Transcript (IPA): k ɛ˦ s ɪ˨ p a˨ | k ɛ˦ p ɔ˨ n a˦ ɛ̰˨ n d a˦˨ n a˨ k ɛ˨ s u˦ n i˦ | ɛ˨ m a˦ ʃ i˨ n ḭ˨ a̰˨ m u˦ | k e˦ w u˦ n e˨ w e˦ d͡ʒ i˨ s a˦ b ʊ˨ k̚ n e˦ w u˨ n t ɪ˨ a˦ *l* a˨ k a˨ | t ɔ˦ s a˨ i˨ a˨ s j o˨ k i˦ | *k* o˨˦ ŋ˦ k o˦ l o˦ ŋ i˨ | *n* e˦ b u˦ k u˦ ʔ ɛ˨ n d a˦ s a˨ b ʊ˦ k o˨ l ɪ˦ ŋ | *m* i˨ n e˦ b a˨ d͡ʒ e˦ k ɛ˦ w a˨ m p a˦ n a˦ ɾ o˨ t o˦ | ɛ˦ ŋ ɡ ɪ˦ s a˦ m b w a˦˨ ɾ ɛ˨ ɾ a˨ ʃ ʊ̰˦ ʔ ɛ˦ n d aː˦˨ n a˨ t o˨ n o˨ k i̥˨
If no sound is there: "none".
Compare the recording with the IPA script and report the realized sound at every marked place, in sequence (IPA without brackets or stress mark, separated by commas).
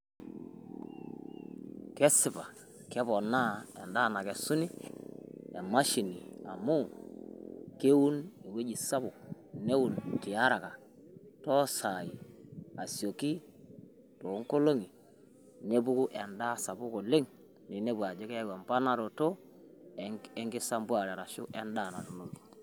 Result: ɾ, t, n, n